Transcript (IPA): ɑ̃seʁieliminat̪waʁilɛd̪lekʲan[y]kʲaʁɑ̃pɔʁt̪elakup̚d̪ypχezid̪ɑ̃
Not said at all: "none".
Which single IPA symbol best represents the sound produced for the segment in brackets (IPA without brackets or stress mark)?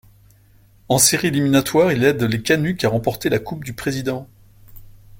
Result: y